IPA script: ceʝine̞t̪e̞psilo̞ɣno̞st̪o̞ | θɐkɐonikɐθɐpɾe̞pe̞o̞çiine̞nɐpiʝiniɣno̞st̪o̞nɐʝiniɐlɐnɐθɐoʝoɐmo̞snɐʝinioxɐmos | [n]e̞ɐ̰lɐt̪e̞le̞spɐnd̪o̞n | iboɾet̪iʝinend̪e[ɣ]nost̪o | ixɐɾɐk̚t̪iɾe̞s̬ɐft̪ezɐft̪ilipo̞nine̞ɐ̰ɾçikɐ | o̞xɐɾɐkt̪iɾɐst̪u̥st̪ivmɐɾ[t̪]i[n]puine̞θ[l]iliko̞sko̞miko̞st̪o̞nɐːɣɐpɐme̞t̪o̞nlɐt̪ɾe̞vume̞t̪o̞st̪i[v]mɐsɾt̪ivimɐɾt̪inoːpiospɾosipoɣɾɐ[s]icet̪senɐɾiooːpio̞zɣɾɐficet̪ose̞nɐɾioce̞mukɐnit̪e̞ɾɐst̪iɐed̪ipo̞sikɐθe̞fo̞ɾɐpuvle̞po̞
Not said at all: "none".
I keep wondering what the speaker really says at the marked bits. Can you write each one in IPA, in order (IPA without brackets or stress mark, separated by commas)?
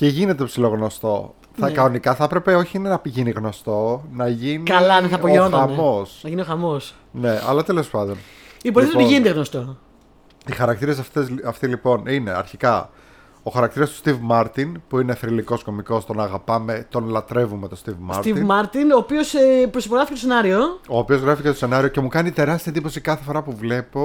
n, ɣ, t̪, n, ɾ, v, f